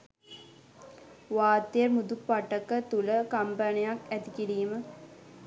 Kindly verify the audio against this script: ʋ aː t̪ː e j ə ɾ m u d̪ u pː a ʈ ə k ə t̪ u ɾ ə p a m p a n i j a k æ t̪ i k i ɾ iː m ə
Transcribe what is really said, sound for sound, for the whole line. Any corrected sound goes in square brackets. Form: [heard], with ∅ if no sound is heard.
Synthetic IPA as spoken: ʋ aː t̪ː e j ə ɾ m u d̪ u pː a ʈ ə k ə t̪ u [l] ə [k] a m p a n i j a k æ t̪ i k i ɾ iː m ə